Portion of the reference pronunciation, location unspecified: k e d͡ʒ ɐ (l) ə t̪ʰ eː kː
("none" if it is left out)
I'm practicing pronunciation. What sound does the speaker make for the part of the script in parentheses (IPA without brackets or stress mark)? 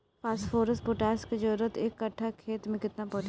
ɾ